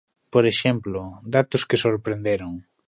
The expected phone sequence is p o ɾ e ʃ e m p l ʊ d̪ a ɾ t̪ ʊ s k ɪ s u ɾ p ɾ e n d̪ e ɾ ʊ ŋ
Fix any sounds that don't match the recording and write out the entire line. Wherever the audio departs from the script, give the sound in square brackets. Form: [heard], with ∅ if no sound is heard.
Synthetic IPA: p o ɾ e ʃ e m p l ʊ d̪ a [∅] t̪ ʊ s k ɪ s [o] ɾ p ɾ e n d̪ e ɾ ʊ ŋ